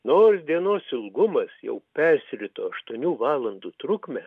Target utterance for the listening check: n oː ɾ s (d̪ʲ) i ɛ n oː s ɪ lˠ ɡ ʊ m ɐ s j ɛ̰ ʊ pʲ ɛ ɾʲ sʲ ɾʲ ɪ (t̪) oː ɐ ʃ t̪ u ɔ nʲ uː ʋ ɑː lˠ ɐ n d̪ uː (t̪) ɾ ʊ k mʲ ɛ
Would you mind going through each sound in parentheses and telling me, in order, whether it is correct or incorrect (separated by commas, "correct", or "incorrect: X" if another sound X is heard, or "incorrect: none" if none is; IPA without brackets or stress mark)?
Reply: correct, correct, correct